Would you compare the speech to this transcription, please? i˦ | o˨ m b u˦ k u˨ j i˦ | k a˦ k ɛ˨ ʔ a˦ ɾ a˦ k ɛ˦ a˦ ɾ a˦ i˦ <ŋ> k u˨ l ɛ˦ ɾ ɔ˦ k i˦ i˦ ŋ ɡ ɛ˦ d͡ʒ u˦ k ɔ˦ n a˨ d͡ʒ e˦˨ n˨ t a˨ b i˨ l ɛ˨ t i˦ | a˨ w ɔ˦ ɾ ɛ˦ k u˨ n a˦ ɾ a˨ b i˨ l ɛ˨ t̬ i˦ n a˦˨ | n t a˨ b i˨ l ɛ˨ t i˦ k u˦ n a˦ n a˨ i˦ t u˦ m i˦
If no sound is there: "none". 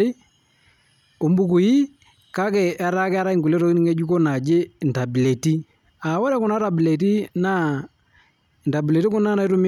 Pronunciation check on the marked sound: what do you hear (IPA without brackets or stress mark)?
ŋ